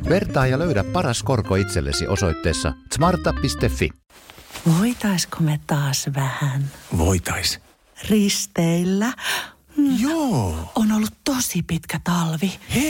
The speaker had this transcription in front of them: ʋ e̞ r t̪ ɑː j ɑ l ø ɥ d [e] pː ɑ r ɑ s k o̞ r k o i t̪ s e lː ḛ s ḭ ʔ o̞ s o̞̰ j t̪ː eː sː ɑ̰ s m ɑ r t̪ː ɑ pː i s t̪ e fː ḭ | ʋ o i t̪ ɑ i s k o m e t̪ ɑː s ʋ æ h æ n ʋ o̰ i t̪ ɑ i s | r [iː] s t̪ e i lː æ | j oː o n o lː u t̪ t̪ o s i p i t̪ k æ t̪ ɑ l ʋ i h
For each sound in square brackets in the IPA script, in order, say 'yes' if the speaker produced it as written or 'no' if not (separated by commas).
no, no